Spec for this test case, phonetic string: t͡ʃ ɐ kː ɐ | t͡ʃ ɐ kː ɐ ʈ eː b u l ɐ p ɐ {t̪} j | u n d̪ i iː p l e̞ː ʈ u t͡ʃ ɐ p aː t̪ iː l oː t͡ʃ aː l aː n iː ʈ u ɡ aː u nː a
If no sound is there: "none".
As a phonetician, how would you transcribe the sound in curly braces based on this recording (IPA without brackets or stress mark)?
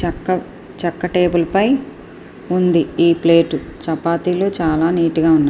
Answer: none